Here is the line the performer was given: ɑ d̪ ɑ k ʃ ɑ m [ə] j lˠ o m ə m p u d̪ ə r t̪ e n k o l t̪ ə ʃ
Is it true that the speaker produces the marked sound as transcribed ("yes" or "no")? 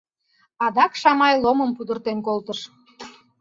no